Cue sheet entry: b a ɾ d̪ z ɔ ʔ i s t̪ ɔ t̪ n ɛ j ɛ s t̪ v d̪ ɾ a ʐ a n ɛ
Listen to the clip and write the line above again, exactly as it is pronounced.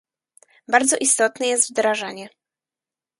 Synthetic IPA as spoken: b a ɾ d̪ z ɔ ʔ i s t̪ ɔ t̪ n ɛ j ɛ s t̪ v d̪ ɾ a ʐ a ɲ ɛ

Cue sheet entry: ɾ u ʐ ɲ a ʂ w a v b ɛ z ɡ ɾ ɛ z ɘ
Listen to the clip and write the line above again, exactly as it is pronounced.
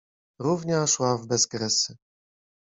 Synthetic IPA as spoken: ɾ u v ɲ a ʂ w a v b ɛ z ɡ ɾ ɛ s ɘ

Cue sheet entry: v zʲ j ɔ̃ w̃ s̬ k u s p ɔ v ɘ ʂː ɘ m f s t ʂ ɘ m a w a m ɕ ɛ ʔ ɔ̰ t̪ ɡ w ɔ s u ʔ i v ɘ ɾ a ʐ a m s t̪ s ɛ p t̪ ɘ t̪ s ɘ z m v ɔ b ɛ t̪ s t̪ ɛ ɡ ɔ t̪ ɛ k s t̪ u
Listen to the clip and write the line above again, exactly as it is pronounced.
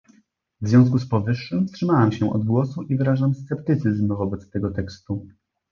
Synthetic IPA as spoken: v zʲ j ɔ̃ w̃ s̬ k u s p ɔ v ɘ ʂː ɘ m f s t ʂ ɘ m a w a m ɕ ɛ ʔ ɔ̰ d̪ ɡ w ɔ s u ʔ i v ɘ ɾ a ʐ a m s t̪ s ɛ p t̪ ɘ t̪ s ɘ z m v ɔ b ɛ t̪ s t̪ ɛ ɡ ɔ t̪ ɛ k s t̪ u

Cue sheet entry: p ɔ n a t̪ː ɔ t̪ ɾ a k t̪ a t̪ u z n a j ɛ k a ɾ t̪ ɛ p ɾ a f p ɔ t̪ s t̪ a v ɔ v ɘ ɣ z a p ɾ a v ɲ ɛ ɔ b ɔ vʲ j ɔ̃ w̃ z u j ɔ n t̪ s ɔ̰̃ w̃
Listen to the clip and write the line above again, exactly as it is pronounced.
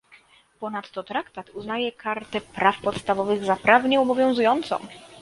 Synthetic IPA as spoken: p ɔ n a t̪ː ɔ t̪ ɾ a k t̪ a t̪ u z n a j ɛ k a ɾ t̪ ɛ p ɾ a f p ɔ t̪ s t̪ a v ɔ v ɘ ɣ z a p ɾ a v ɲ ɛ ɔ b ɔ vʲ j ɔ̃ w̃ z u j ɔ n t̪ s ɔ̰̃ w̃

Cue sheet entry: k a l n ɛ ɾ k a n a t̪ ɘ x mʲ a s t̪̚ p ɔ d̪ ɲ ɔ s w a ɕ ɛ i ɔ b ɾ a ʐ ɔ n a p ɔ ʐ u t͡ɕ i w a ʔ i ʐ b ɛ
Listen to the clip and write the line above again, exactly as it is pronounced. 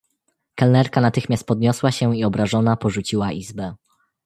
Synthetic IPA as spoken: k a l n ɛ ɾ k a n a t̪ ɘ x mʲ a s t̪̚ p ɔ d̪ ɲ ɔ s w a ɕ ɛ i ɔ b ɾ a ʐ ɔ n a p ɔ ʐ u t͡ɕ i w a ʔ i z b ɛ

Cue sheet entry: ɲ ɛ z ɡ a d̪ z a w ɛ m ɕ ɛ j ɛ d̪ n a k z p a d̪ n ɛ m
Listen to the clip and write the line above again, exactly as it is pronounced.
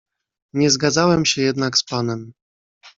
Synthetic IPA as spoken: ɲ ɛ z ɡ a d̪ z a w ɛ m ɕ ɛ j ɛ d̪ n a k s p a n ɛ m

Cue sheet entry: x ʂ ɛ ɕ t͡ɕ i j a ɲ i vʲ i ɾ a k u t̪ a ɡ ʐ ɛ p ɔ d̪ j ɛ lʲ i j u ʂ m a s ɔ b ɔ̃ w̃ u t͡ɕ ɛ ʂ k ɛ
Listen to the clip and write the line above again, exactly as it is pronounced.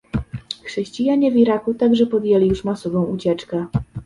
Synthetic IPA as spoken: x ʂ ɛ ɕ t͡ɕ i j a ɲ ɛ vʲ i ɾ a k u t̪ a ɡ ʐ ɛ p ɔ d̪ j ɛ lʲ i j u ʂ m a s ɔ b ɔ̃ w̃ u t͡ɕ ɛ t͡ʂ k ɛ

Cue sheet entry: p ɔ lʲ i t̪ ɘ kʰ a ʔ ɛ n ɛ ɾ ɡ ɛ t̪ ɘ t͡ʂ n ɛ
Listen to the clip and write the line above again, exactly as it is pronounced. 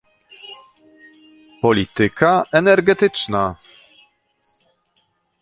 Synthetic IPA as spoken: p ɔ lʲ i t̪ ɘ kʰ a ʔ ɛ n ɛ ɾ ɡ ɛ t̪ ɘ t͡ʂ n a

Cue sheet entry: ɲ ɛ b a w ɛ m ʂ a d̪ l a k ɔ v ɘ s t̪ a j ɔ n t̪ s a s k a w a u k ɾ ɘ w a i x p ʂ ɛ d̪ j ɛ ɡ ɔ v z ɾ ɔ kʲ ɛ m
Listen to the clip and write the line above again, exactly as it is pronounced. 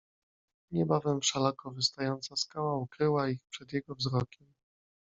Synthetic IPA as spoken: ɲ ɛ b a v ɛ m ʂ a l a k ɔ v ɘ s t̪ a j ɔ n t̪ s a s k a w a u k ɾ ɘ w a i x p ʂ ɛ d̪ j ɛ ɡ ɔ v z ɾ ɔ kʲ ɛ m

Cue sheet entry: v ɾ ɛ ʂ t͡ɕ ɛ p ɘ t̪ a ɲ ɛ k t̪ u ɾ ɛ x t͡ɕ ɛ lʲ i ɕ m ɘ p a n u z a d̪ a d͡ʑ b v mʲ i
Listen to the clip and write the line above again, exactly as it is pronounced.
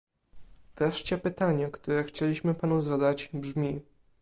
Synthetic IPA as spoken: v ɾ ɛ ʂ t͡ɕ ɛ p ɘ t̪ a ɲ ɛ k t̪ u ɾ ɛ x t͡ɕ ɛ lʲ i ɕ m ɘ p a n u z a d̪ a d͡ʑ b ʐ mʲ i

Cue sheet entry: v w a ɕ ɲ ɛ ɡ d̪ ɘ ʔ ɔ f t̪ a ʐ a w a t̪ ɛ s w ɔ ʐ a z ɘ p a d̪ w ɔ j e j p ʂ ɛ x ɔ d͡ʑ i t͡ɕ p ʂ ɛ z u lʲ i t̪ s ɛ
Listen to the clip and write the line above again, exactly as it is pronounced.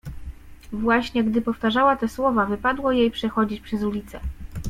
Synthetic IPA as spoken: v w a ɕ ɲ ɛ ɡ d̪ ɘ p ɔ f t̪ a ʐ a w a t̪ ɛ s w ɔ v a v ɘ p a d̪ w ɔ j e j p ʂ ɛ x ɔ d͡ʑ i t͡ɕ p ʂ ɛ z u lʲ i t̪ s ɛ

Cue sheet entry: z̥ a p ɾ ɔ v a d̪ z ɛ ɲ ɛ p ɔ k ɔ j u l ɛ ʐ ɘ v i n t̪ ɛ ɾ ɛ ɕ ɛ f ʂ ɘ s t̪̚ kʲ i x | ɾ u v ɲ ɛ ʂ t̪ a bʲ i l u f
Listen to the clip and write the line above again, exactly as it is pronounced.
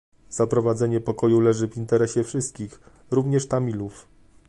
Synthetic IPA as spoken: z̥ a p ɾ ɔ v a d̪ z ɛ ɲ ɛ p ɔ k ɔ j u l ɛ ʐ ɘ v i n t̪ ɛ ɾ ɛ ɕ ɛ f ʂ ɘ s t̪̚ kʲ i x | ɾ u v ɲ ɛ ʂ t̪ a mʲ i l u f

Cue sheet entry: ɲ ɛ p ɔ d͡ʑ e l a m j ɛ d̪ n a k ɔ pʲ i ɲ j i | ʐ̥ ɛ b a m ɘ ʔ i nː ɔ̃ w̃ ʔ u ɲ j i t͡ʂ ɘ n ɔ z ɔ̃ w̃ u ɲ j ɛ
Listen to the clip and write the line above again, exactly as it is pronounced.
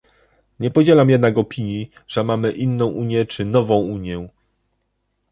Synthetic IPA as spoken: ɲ ɛ p ɔ d͡ʑ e l a m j ɛ d̪ n a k ɔ pʲ i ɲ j i | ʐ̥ ɛ m a m ɘ ʔ i nː ɔ̃ w̃ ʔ u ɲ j ɛ t͡ʂ ɘ n ɔ v ɔ̃ w̃ u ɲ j ɛ

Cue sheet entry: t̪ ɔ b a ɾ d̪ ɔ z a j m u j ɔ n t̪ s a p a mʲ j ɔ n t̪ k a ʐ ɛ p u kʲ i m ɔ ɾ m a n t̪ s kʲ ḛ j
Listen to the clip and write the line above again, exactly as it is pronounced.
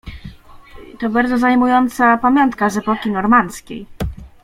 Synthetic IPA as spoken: t̪ ɔ b a ɾ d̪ ɔ z a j m u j ɔ n t̪ s a p a mʲ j ɔ n t̪ k a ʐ ɛ p ɔ kʲ i n ɔ ɾ m a n t̪ s kʲ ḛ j

